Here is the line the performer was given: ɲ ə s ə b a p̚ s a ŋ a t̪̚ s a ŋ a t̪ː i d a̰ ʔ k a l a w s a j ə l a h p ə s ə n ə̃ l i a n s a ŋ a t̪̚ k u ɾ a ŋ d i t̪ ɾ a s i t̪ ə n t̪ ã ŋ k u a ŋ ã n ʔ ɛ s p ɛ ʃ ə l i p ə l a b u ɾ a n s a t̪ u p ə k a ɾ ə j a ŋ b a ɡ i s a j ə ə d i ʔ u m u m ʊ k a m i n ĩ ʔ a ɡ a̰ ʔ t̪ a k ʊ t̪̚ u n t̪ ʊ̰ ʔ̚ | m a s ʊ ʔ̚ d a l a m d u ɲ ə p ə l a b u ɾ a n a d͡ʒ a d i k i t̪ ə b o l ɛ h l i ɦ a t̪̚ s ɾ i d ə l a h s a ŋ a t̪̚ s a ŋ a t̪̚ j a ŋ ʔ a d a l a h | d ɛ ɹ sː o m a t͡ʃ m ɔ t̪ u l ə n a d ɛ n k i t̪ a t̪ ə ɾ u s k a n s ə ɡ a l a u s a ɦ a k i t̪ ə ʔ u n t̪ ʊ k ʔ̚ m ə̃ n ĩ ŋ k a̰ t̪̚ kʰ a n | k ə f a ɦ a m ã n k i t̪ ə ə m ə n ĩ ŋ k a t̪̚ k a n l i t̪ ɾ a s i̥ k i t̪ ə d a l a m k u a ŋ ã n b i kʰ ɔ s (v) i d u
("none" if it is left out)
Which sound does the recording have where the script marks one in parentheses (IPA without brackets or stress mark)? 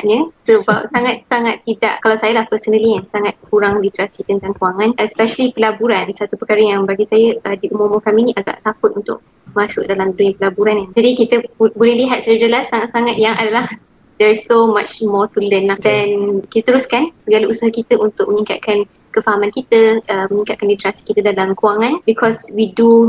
w